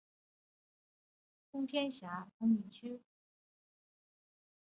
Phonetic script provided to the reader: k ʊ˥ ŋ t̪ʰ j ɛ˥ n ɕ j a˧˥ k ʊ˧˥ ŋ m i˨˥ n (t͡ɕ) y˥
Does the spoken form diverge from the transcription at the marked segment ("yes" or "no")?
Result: yes